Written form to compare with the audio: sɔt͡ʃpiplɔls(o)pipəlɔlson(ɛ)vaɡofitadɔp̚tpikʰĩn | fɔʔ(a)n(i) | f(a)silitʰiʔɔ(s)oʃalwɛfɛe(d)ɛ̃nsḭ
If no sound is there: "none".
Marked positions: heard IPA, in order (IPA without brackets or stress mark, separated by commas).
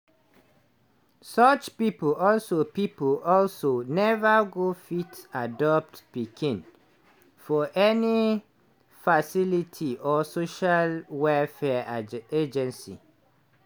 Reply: o, ɛ, ɛ, i, a, s, d͡ʒ